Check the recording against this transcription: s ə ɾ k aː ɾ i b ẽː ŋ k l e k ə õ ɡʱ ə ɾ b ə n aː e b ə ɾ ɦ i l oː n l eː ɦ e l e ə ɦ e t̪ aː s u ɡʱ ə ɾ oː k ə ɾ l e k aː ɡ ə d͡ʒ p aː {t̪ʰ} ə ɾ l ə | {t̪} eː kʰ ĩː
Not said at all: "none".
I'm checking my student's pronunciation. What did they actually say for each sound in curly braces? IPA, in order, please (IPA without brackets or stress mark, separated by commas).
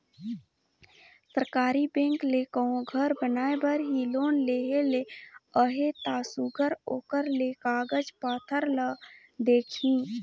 t̪ʰ, d̪